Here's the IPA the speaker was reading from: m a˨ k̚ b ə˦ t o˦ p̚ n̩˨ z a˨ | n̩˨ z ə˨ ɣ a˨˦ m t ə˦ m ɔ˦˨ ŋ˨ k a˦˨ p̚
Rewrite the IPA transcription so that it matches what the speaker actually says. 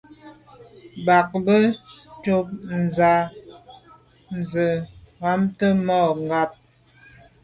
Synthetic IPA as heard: b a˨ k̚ b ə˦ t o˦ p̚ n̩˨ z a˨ | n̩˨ z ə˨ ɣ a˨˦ m t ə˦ m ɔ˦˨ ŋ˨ ɡ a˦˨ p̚